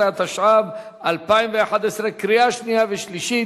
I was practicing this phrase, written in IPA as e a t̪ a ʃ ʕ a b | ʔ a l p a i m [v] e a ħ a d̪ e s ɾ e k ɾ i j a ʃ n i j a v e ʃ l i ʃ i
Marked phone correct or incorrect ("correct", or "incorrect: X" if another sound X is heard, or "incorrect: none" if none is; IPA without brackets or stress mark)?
correct